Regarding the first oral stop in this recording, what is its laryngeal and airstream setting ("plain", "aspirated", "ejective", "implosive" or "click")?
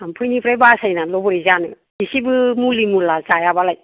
aspirated